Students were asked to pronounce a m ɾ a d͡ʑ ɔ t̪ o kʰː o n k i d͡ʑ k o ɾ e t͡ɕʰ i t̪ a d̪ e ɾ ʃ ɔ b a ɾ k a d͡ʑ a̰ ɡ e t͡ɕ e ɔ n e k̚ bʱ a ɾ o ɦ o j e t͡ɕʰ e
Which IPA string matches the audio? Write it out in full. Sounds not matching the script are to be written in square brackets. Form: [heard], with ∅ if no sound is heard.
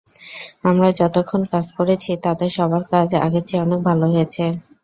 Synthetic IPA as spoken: a m ɾ a d͡ʑ ɔ t̪ o kʰː o n k [a] d͡ʑ k o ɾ e t͡ɕʰ i t̪ a d̪ e ɾ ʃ ɔ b a ɾ k a d͡ʑ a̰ ɡ e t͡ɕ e ɔ n e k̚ bʱ a [l] o ɦ o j e t͡ɕʰ e